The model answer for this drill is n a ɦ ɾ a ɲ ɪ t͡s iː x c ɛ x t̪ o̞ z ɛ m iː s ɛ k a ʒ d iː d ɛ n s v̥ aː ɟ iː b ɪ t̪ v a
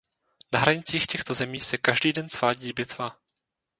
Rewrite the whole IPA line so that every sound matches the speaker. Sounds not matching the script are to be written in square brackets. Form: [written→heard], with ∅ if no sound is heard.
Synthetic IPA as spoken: n a ɦ ɾ a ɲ ɪ t͡s iː x c ɛ x t̪ o̞ z ɛ m iː s ɛ k a ʒ d iː d ɛ n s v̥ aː ɟ iː b ɪ t̪ v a